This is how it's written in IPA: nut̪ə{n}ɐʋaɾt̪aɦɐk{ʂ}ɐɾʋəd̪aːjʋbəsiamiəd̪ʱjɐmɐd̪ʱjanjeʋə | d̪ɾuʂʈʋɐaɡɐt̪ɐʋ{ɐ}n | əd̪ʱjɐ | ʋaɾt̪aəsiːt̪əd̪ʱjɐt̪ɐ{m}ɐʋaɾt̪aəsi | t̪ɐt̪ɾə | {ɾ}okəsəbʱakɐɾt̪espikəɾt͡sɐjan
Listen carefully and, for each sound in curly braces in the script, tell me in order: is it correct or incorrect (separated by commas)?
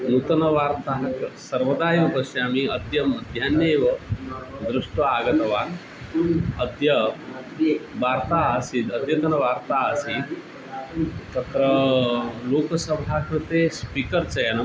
correct, incorrect, incorrect, incorrect, incorrect